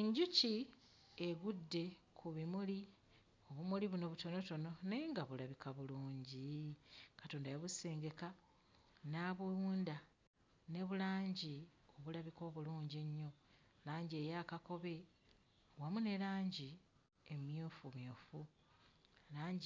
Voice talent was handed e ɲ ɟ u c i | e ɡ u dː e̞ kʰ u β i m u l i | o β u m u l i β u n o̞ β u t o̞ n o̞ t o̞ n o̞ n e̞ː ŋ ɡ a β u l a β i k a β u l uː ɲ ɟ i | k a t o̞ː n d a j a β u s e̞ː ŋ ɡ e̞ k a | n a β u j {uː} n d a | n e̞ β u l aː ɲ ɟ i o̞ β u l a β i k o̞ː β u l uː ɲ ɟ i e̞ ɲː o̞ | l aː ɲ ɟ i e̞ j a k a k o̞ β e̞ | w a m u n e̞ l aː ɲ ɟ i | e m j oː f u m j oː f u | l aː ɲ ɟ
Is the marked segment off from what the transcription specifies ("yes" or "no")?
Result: no